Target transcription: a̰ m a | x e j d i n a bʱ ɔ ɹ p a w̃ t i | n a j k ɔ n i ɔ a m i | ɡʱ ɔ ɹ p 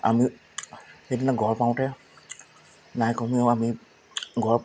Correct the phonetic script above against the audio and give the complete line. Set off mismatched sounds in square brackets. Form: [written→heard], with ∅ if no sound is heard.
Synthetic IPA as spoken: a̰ m [a→i] | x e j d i n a [bʱ→ɡʱ] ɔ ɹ p a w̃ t [i→ɛ] | n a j k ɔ [n→m] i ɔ a m i | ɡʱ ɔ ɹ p

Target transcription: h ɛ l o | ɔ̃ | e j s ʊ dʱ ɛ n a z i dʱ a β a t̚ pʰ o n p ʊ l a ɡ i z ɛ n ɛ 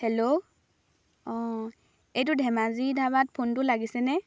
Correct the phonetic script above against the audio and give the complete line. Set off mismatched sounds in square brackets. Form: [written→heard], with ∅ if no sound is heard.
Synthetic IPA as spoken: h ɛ l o | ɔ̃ | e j [s→t] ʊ dʱ ɛ [n→m] a z i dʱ a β a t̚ pʰ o n [p→t] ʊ l a ɡ i [z→s] ɛ n ɛ

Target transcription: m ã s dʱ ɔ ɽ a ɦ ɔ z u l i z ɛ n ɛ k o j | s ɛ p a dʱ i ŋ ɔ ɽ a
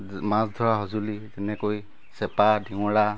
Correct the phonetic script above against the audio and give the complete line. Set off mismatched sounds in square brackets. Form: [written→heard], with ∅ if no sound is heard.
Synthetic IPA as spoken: m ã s dʱ ɔ [ɽ→ɹ] a ɦ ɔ z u l i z ɛ n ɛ k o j | s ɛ p a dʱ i ŋ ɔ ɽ a

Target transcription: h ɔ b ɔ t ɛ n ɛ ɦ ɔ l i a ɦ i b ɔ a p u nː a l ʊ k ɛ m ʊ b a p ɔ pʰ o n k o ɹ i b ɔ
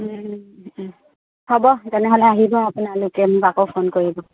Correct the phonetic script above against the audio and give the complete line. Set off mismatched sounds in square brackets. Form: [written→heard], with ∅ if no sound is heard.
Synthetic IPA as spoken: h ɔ b ɔ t ɛ n ɛ ɦ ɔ l [i→ɛ] a ɦ i b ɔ a p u [nː→n] a l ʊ k ɛ m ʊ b a [p→k] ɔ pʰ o n k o ɹ i b ɔ

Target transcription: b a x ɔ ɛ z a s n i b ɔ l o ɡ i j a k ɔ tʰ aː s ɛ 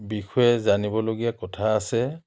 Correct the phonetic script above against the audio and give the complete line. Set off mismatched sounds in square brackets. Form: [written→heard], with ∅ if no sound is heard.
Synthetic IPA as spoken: b [a→i] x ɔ ɛ z a [s→∅] n i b ɔ l o ɡ i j a k ɔ tʰ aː s ɛ

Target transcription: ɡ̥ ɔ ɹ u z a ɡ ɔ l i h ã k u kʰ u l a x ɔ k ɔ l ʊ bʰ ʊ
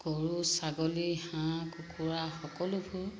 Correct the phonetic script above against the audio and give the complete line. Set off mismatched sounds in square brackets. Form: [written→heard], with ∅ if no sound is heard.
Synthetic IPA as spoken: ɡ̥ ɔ ɹ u [z→s] a ɡ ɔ l i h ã k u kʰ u [l→ɹ] a x ɔ k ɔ l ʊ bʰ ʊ

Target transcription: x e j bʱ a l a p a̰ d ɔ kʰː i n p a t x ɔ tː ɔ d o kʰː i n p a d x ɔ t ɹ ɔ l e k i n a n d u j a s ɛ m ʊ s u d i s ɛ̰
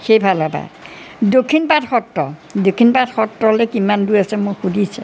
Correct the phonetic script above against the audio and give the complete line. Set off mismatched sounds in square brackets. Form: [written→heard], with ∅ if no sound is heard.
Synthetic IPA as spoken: x e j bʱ a l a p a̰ d [ɔ→o] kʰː i n p a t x ɔ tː ɔ d o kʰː i n p a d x ɔ t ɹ ɔ l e k i [n→m] a n d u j a s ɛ m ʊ [s→x] u d i s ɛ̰

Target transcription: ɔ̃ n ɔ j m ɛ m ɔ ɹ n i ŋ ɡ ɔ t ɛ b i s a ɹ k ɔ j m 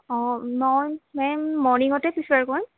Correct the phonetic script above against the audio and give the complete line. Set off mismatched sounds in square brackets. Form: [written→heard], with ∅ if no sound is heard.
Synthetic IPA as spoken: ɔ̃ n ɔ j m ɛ m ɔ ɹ n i ŋ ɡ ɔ t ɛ [b→p] i s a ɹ k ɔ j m

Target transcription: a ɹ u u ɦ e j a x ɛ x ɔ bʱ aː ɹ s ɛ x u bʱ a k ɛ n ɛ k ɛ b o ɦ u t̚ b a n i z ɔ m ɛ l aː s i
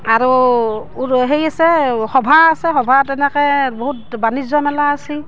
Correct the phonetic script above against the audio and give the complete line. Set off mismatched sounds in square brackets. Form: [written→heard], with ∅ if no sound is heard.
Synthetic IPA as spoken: a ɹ u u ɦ e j a [x→s] ɛ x ɔ bʱ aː [ɹ→∅] s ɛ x [u→ɔ] bʱ a [k→t] ɛ n ɛ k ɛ b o ɦ u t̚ b a n i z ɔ m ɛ l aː s i

